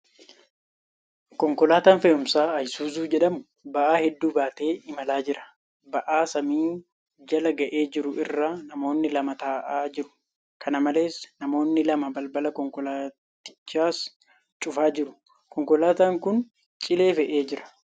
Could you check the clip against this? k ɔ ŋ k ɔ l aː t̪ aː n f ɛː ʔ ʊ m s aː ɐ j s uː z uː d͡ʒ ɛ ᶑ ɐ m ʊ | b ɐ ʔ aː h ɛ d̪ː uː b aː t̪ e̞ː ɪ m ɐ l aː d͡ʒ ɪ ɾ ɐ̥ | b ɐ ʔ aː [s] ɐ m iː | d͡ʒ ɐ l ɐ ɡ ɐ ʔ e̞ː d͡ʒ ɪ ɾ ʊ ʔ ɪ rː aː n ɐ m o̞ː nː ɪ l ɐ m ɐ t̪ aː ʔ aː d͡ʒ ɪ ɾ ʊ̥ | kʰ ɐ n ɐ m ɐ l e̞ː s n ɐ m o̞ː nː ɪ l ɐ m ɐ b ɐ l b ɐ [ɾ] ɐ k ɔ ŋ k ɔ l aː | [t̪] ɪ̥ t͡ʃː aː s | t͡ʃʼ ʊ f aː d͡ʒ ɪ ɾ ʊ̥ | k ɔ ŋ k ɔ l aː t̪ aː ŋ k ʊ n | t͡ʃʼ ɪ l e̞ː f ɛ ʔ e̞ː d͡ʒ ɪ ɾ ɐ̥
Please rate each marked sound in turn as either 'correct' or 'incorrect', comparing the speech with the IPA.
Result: correct, incorrect, correct

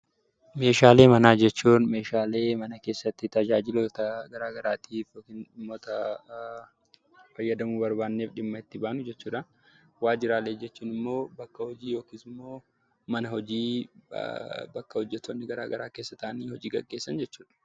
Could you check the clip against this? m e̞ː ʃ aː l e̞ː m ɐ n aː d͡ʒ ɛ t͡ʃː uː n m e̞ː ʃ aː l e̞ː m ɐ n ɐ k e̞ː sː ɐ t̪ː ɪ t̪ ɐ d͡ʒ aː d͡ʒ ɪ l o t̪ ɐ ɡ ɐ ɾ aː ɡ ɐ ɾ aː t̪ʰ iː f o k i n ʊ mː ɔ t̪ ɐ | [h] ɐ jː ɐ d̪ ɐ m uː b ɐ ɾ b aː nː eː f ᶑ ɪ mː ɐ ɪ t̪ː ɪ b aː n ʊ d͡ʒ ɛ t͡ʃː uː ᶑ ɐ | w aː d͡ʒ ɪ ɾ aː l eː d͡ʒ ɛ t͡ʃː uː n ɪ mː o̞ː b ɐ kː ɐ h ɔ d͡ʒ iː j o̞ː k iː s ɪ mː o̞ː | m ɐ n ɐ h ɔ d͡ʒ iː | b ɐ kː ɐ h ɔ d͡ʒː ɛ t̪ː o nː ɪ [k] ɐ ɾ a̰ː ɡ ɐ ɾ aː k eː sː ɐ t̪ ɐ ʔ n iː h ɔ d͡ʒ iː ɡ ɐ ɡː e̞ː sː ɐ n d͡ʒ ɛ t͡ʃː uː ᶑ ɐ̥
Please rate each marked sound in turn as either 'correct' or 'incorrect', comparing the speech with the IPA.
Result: incorrect, incorrect

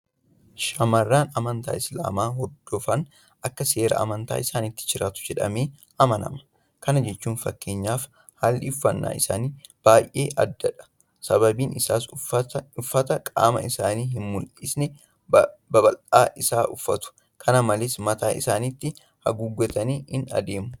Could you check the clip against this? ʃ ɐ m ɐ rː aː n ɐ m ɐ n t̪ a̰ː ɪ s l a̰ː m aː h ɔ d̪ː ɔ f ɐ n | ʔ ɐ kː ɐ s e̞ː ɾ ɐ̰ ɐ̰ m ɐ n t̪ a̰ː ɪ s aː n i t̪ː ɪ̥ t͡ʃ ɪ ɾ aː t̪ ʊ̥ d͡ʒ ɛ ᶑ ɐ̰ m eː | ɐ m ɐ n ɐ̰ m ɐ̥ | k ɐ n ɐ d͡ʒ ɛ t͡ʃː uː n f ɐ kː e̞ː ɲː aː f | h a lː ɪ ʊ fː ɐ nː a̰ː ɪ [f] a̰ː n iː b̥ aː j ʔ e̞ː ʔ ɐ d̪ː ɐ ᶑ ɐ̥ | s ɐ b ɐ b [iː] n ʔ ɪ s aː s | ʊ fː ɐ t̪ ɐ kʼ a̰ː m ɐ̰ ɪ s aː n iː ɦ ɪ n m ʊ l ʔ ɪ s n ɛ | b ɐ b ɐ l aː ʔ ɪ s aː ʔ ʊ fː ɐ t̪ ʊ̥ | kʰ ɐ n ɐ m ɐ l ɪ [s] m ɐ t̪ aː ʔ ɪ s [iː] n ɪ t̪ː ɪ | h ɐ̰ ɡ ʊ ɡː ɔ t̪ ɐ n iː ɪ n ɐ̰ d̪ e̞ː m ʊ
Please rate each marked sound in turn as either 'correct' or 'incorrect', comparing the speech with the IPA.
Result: incorrect, correct, correct, incorrect

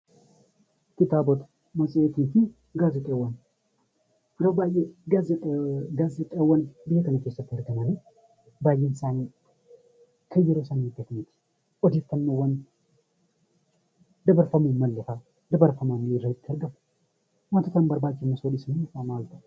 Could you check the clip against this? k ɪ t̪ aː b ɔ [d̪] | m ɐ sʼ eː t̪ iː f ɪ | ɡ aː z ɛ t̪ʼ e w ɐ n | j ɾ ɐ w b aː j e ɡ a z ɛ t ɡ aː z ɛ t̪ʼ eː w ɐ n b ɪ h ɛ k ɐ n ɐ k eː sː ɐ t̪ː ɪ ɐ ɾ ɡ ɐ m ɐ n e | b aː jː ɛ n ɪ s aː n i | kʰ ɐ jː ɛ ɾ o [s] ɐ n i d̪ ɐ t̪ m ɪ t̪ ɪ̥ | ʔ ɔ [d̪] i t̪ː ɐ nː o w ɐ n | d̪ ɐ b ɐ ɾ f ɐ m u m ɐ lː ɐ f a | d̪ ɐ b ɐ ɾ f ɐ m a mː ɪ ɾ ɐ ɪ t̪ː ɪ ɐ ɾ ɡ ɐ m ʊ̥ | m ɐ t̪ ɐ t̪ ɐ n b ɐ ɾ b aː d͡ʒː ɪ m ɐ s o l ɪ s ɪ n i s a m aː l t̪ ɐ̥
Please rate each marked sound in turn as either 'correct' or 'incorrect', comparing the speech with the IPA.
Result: incorrect, correct, correct

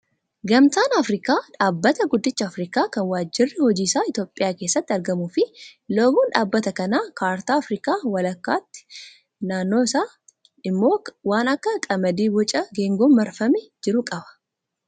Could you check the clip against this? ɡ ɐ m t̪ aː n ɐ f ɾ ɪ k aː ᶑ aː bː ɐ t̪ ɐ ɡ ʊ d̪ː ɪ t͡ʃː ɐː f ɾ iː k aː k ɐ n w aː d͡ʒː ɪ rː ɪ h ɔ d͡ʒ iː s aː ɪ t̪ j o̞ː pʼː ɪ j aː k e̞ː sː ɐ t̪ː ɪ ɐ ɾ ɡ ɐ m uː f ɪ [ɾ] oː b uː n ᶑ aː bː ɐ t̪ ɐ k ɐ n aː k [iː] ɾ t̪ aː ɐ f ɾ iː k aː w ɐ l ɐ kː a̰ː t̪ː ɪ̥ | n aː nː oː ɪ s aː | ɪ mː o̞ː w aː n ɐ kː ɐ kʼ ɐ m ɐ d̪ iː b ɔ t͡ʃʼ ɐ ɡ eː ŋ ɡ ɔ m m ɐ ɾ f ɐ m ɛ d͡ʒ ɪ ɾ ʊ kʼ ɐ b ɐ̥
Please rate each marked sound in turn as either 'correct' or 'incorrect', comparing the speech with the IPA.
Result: incorrect, incorrect

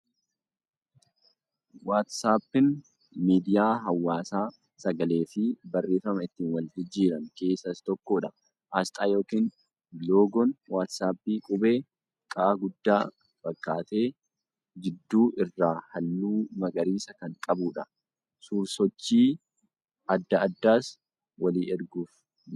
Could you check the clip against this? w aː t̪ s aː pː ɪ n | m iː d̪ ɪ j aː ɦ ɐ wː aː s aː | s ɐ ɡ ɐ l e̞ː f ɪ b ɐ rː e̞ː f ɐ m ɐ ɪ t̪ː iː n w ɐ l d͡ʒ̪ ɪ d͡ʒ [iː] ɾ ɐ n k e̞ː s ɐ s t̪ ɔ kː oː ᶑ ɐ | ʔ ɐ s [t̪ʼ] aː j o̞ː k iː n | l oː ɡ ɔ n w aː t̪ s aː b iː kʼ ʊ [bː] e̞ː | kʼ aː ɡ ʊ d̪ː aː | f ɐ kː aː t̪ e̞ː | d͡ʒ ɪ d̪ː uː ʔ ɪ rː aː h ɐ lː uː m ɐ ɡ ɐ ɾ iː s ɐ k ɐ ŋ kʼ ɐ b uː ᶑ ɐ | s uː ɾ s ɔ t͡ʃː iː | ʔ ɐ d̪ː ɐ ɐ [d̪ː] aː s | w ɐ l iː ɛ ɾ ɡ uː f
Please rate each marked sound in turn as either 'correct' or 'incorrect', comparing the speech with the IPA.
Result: correct, correct, incorrect, correct

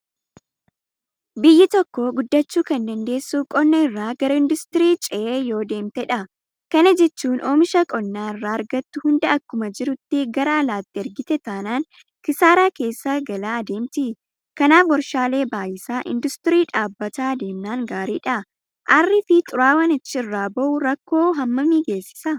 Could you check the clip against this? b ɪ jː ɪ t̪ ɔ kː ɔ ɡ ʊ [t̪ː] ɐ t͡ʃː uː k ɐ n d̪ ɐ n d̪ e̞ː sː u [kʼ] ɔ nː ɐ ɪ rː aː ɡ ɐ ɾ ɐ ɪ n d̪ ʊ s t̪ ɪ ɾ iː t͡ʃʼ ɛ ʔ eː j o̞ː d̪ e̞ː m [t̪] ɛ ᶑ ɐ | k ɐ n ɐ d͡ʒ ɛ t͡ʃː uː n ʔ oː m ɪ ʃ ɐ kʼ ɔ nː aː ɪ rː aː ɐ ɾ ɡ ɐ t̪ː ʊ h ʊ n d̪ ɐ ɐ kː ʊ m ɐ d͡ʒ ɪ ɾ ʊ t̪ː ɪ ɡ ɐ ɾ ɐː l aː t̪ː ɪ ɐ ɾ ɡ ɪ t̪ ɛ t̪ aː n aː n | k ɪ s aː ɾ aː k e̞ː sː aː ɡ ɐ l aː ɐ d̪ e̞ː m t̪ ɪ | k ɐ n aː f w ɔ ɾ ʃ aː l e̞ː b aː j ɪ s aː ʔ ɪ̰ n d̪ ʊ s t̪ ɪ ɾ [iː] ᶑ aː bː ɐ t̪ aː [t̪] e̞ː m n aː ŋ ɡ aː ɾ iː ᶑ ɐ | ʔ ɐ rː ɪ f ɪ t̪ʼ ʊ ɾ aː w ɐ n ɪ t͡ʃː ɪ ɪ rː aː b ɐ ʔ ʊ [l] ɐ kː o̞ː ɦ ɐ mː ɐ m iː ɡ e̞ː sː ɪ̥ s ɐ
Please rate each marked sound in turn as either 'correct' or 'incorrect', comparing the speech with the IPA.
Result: incorrect, correct, correct, correct, incorrect, incorrect

